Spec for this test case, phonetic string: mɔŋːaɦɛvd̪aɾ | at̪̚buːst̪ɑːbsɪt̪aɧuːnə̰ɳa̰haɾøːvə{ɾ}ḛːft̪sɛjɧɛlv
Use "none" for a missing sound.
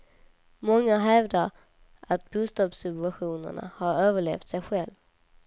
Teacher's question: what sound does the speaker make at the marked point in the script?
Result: ɭ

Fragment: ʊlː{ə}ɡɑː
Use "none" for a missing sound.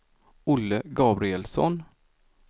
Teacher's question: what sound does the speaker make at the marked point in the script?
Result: ə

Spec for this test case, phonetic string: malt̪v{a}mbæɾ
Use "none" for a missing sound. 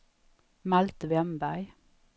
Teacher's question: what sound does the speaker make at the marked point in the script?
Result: ɛ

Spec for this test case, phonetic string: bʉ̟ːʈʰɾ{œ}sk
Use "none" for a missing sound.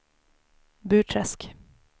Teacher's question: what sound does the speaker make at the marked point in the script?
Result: ɛ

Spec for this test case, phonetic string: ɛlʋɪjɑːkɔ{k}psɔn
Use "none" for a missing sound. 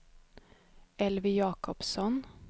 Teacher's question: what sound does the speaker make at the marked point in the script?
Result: none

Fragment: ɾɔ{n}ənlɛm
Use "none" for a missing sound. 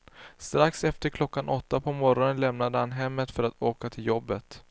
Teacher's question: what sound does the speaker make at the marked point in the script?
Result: n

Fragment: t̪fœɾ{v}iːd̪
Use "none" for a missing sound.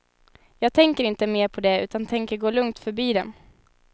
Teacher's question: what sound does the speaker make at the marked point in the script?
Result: b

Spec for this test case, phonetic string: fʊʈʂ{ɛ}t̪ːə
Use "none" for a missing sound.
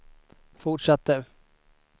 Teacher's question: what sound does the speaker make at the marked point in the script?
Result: a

